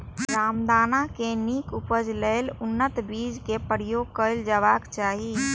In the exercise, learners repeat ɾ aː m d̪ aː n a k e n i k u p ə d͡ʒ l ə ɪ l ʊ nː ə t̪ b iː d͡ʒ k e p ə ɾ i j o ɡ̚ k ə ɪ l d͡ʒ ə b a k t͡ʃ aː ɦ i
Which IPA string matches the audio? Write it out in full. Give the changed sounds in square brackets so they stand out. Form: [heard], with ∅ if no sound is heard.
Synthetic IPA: ɾ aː m d̪ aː n a k e n i k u p ə d͡ʒ l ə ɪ l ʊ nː ə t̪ b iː d͡ʒ k e p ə ɾ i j o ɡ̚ k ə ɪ l d͡ʒ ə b a k t͡ʃ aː ɦ i